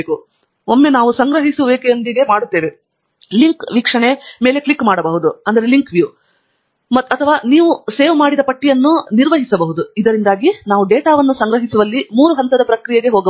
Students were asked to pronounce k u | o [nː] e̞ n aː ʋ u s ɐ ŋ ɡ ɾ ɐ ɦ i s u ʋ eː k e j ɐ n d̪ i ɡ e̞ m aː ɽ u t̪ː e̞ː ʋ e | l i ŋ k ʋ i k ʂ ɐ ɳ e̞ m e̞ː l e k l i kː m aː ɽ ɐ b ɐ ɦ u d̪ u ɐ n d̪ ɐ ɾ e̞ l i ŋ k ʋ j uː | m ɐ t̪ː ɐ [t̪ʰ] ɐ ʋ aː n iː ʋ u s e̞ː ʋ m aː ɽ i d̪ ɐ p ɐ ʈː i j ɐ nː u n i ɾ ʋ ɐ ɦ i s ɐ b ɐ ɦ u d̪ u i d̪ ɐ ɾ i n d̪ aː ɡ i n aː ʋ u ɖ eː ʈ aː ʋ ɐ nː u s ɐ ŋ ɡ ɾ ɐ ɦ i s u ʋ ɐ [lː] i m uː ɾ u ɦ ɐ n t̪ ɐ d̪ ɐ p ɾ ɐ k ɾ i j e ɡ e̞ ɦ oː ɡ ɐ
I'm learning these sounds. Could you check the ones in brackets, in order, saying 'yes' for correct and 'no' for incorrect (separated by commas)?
no, yes, yes